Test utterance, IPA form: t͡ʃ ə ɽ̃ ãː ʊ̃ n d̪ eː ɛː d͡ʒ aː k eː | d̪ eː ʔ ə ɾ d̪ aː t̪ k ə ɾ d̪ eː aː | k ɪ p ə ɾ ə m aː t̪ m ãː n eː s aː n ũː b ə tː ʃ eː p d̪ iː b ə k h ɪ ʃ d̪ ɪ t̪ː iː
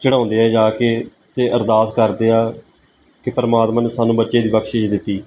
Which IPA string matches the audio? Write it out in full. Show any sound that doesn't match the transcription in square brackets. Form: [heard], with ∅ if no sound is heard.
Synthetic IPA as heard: t͡ʃ ə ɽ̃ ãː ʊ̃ n d̪ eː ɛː d͡ʒ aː k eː | [t̪] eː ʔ ə ɾ d̪ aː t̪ k ə ɾ d̪ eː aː | k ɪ p ə ɾ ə m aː t̪ m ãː n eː s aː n ũː b ə tː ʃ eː [∅] d̪ iː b ə k [ʃ] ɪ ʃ d̪ ɪ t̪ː iː